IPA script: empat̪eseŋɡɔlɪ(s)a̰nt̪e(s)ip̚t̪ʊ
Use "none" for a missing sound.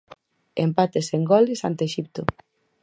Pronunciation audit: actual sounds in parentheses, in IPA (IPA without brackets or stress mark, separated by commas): s, ʃ